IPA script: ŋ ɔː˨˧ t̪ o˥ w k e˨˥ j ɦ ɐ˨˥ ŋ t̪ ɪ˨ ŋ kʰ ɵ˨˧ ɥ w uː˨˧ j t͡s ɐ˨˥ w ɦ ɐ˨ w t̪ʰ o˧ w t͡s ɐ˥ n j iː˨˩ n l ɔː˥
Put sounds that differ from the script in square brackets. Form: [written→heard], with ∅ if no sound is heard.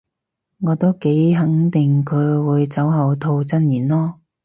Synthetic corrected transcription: ŋ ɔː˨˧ t̪ o˥ w k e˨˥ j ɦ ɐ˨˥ ŋ t̪ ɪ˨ ŋ kʰ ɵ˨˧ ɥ w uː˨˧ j t͡s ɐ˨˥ w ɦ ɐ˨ w t̪ʰ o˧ w t͡s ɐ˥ n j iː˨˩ n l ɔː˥